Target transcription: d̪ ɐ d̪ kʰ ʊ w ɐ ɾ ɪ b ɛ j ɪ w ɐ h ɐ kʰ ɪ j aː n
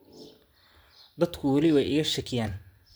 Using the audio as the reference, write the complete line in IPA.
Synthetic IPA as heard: d̪ ɐ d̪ kʰ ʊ w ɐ l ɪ w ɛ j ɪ ɣ ɐ ʃ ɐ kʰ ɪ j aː n